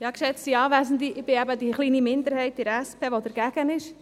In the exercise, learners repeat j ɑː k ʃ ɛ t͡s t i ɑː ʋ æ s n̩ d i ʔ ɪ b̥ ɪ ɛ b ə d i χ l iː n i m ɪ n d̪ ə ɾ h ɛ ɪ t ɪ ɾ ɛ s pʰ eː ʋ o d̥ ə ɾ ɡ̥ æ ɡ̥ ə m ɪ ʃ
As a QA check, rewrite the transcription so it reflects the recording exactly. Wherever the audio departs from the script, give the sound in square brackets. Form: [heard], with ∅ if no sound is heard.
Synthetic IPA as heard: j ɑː k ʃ ɛ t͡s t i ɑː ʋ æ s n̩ d i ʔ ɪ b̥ ɪ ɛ b ə d i χ l iː n i m ɪ n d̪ ə ɾ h ɛ ɪ t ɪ ɾ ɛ s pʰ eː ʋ o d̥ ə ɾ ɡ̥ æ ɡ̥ ə [n] ɪ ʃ

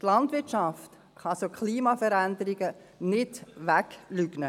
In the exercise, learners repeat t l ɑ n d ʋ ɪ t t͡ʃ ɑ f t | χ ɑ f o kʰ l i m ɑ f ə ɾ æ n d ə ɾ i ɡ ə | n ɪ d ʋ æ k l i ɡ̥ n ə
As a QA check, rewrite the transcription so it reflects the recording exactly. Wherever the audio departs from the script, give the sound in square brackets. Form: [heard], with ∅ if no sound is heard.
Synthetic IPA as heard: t l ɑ n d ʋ ɪ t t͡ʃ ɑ f t | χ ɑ [s] o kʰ l [iː] m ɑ f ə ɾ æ n d ə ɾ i ɡ ə | n ɪ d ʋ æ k l [y] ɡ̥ n ə

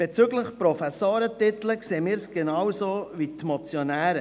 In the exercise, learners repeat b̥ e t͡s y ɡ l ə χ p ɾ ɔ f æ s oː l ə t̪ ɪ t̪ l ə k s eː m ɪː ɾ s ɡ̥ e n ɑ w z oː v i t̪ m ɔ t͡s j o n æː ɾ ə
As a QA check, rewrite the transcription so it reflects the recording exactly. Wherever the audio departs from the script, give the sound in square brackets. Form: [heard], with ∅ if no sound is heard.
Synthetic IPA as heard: b̥ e t͡s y ɡ l ə χ p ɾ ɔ f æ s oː [ɾ] ə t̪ ɪ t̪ l ə k s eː m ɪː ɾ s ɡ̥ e n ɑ w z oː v i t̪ m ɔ t͡s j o n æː ɾ ə

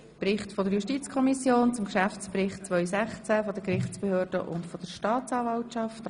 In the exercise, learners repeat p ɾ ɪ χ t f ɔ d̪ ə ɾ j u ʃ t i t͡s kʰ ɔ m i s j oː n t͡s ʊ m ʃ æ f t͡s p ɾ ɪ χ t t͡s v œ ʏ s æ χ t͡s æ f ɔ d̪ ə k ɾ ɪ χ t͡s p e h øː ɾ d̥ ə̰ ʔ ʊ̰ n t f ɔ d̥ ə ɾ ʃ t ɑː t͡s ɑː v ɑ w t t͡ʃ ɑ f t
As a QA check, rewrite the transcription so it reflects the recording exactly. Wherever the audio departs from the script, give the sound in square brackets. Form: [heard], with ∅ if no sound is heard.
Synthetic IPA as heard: p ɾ ɪ χ t f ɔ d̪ ə ɾ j u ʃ t i t͡s kʰ ɔ m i s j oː n t͡s ʊ m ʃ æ f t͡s p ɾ ɪ χ t t͡s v œ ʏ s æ χ t͡s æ f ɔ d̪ ə k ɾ ɪ χ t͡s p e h øː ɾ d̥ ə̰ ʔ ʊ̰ n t f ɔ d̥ ə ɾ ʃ t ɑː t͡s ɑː v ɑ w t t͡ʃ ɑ f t

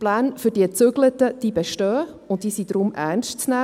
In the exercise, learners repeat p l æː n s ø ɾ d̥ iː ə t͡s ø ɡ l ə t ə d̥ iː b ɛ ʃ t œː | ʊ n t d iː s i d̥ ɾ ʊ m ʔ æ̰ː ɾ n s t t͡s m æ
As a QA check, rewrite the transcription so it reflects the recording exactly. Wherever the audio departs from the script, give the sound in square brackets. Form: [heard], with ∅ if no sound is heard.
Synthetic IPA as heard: p l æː n [f] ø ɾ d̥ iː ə t͡s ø ɡ l ə t ə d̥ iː b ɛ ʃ t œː | ʊ n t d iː s i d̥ ɾ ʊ m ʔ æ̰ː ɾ n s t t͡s [n] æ

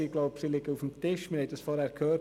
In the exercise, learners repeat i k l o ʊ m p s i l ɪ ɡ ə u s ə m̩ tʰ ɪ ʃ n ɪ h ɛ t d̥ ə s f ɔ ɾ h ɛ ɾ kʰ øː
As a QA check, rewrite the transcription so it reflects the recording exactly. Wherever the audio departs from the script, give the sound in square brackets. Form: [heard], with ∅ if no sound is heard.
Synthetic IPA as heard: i [ɡ] l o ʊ [∅] p s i l ɪ ɡ ə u [f] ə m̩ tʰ ɪ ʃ [m] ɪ h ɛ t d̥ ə s f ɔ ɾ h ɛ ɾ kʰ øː

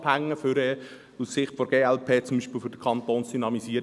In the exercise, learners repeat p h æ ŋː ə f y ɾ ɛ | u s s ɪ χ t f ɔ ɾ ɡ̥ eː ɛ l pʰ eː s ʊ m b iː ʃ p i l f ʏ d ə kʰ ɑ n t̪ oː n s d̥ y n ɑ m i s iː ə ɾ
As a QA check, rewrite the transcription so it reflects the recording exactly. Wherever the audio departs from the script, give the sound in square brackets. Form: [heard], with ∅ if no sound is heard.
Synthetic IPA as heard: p h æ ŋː ə f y ɾ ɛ | u s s ɪ χ t f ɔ ɾ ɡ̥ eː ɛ l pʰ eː [t͡s] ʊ m b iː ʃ p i l f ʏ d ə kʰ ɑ n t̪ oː n s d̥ y n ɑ m i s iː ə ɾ

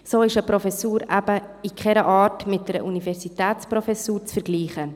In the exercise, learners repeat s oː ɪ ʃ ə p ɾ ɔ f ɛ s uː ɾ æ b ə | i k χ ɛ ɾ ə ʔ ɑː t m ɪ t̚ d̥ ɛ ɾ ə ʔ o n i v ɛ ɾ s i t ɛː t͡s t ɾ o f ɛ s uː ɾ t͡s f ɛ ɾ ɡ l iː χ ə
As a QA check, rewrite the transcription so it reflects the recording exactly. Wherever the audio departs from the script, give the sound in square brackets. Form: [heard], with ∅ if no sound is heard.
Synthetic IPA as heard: s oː ɪ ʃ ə p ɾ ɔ f ɛ s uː ɾ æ b ə | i k χ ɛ ɾ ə ʔ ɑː t m ɪ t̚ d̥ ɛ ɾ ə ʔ [u] n i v ɛ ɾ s i t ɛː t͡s [p] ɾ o f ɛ s uː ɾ t͡s f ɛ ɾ ɡ l iː χ ə

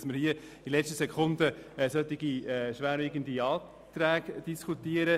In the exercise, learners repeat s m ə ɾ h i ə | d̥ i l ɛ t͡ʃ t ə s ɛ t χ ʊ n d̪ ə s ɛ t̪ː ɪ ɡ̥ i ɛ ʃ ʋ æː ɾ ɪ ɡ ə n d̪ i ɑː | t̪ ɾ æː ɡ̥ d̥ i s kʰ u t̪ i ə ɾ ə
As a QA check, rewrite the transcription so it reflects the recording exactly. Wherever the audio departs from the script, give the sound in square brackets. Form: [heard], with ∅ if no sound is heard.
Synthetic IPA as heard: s m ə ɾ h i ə | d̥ i l ɛ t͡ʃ t ə s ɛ [k] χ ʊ n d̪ ə s [œ] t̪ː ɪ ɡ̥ i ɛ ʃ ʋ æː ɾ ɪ ɡ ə n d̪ i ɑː | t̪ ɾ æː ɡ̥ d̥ i s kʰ u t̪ i ə ɾ ə

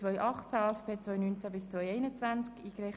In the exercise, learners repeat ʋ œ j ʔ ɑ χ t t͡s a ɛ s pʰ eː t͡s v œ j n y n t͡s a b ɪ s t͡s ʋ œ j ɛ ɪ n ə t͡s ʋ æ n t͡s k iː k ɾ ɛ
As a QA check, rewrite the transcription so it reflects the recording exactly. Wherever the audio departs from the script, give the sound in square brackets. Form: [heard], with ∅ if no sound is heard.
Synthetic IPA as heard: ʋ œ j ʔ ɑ χ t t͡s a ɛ [f] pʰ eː t͡s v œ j n y n t͡s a b ɪ s t͡s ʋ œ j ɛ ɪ n ə t͡s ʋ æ n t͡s k iː k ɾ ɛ

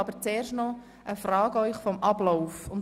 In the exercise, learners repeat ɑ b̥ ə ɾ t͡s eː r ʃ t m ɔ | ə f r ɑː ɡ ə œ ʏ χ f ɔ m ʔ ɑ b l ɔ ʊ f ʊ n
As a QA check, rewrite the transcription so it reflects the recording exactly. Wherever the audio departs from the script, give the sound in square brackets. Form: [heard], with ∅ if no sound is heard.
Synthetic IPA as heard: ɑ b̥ ə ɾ t͡s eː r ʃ t [n] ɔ | ə f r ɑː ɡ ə œ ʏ χ f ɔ m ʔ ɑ b l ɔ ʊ f ʊ n

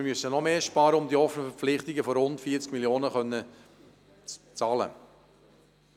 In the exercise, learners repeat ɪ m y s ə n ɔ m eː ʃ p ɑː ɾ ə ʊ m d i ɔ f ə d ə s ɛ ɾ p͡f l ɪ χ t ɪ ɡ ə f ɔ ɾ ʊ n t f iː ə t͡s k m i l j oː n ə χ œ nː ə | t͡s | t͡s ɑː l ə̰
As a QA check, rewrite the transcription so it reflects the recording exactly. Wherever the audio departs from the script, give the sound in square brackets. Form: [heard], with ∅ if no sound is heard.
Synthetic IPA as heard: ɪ m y s ə n ɔ m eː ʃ p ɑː ɾ ə ʊ m d i ɔ f ə [n] ə [f] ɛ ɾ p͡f l ɪ χ t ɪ ɡ ə f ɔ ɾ ʊ n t f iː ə t͡s k m i l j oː n ə χ œ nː ə | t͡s | t͡s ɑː l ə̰

